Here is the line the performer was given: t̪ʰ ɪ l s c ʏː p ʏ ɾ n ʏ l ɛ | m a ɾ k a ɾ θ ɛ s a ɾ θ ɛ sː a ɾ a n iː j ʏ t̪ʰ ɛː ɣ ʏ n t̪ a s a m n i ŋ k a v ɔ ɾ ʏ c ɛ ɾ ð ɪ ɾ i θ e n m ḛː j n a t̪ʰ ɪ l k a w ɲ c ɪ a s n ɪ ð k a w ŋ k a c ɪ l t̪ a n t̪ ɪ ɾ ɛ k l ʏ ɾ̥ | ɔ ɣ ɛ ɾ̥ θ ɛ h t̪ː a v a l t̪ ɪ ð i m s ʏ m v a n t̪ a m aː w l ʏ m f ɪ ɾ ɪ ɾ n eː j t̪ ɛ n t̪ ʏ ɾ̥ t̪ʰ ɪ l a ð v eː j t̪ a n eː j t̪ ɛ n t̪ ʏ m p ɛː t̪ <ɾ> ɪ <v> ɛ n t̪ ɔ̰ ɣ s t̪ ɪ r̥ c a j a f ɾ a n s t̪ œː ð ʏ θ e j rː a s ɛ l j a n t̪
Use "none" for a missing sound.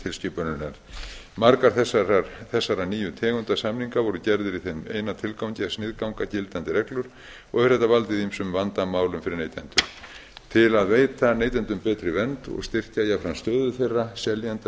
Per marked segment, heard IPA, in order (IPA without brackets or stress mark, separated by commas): ɾ, v